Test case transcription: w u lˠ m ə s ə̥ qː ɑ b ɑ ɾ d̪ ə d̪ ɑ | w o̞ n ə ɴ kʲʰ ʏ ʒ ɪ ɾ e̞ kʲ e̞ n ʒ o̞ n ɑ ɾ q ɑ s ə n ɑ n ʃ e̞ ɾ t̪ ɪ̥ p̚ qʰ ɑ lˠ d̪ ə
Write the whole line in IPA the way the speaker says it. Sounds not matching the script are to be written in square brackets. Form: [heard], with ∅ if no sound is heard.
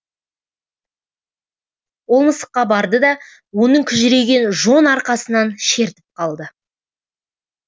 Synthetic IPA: w [o] lˠ m ə s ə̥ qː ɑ b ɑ ɾ d̪ ə d̪ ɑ | w o̞ n ə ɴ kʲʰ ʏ ʒ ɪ ɾ e̞ [ɡʲ] e̞ n ʒ o̞ n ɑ ɾ q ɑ s ə n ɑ n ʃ e̞ ɾ t̪ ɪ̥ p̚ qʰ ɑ lˠ d̪ ə

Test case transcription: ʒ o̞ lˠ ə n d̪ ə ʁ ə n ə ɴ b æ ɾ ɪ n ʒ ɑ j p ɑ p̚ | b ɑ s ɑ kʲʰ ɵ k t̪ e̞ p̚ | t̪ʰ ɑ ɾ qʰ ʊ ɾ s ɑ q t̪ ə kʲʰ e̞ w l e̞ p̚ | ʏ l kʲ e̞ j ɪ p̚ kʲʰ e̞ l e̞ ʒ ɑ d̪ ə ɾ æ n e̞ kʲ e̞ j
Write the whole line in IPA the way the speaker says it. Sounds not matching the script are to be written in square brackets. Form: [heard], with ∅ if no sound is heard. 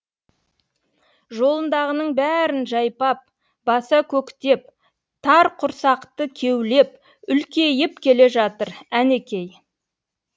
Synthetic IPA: ʒ o̞ lˠ ə n d̪ [ɑ] ʁ ə n ə ɴ b æ ɾ ɪ n ʒ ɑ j p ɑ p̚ | b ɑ s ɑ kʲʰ ɵ k t̪ e̞ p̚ | t̪ʰ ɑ ɾ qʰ ʊ ɾ s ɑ q t̪ ə kʲʰ e̞ w l e̞ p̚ | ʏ l kʲ e̞ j ɪ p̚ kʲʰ e̞ l e̞ ʒ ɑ [t̪] ə ɾ æ n e̞ kʲ e̞ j

